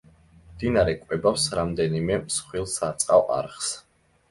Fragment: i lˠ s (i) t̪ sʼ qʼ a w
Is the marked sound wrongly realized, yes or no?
yes